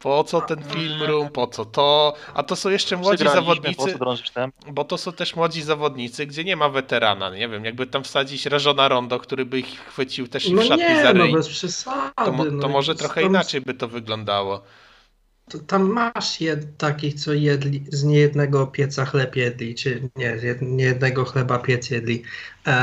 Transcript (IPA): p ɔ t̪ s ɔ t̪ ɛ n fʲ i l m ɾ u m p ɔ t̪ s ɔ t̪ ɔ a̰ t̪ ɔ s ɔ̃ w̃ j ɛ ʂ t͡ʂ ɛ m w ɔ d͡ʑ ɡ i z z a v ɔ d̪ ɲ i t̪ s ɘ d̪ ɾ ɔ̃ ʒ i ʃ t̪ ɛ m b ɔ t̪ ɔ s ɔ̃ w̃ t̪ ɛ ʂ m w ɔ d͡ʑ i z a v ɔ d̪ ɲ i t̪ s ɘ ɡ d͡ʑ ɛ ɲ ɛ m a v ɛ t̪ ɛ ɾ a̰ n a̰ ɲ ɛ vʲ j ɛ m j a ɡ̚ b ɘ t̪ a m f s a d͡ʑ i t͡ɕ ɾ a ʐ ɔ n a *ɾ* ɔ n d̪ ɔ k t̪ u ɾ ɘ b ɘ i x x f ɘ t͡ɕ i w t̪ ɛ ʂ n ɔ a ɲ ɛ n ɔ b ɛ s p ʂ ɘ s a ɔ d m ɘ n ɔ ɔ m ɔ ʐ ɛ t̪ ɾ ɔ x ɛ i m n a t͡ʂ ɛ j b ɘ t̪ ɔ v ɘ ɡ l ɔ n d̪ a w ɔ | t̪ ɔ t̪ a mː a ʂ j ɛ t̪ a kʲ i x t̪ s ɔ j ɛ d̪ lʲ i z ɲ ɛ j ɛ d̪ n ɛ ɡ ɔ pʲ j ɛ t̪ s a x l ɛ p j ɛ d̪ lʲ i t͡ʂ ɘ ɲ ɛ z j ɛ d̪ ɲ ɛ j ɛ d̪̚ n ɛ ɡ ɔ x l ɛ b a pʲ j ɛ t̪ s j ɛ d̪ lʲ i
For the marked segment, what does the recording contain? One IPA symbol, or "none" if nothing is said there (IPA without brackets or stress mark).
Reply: ɾ